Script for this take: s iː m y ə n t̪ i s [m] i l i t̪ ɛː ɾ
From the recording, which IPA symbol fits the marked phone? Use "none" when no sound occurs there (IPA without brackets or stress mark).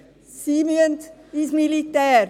m